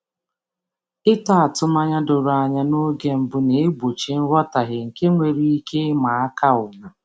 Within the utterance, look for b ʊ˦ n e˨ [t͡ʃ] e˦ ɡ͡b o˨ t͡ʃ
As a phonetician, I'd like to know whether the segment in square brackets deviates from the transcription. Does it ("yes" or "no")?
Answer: yes